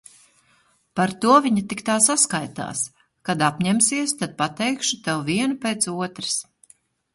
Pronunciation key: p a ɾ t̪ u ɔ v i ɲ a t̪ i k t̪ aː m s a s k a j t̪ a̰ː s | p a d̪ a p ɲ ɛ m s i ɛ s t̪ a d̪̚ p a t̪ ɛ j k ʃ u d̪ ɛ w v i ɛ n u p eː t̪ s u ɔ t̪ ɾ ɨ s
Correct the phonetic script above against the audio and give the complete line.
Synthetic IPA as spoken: p a ɾ t̪ u ɔ v i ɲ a t̪ i k t̪ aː s a s k a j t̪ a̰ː s | k a d̪ a p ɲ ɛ m s i ɛ s t̪ a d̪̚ p a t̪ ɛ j k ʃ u t̪ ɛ w v i ɛ n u p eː t̪ s u ɔ t̪ ɾ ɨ s